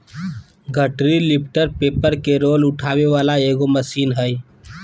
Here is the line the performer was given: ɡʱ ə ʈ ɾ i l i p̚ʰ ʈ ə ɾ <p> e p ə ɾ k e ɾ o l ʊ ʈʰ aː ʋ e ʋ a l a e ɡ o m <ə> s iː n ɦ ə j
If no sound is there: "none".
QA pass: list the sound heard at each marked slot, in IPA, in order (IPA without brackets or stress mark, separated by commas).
p, ə